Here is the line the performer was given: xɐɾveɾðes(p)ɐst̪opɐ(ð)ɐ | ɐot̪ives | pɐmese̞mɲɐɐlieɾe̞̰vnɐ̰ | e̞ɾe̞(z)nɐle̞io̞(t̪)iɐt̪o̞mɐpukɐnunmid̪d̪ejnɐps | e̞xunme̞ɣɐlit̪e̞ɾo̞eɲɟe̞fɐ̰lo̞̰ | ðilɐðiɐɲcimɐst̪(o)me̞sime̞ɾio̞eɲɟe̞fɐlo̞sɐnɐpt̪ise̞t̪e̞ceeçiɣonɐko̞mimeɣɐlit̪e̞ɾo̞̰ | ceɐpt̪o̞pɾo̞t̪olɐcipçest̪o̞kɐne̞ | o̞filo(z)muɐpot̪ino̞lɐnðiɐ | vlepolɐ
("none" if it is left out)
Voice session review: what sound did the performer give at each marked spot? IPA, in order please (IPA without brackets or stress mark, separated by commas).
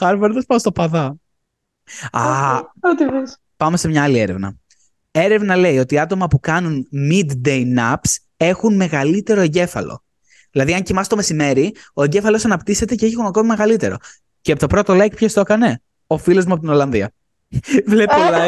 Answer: p, ð, v, t̪, o, z